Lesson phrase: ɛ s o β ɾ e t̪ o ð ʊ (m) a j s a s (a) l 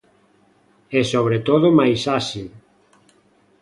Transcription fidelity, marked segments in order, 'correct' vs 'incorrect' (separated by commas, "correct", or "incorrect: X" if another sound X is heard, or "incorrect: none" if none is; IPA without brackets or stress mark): correct, incorrect: i